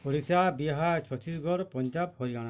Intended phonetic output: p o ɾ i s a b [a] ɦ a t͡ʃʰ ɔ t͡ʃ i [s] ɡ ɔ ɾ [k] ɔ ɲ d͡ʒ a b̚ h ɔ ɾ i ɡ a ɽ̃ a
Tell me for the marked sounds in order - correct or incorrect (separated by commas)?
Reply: incorrect, correct, incorrect